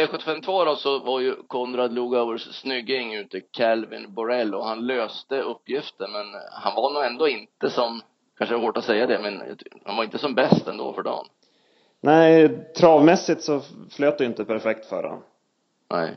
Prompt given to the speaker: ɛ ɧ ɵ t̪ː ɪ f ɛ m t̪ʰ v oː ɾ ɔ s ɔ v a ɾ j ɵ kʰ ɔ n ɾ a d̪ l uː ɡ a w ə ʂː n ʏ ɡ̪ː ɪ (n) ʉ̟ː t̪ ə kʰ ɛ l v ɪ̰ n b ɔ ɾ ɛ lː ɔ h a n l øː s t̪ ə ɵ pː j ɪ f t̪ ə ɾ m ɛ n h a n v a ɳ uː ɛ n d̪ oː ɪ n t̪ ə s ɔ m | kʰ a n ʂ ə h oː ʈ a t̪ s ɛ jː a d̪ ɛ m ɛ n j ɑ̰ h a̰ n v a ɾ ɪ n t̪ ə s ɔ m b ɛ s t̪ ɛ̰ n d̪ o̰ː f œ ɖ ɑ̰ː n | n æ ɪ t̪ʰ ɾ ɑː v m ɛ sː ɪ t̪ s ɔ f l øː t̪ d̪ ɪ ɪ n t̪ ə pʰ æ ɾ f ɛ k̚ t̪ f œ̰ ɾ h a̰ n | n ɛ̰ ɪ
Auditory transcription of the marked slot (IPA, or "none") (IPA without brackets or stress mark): ŋ